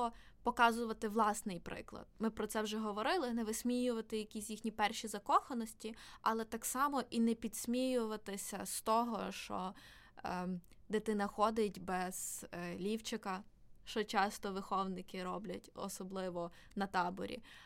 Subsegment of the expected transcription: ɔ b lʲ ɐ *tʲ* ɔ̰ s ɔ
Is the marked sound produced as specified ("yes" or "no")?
yes